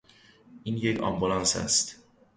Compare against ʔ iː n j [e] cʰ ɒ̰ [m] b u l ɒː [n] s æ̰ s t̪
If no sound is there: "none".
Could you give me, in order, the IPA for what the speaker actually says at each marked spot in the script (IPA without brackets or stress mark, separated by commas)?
e, m, n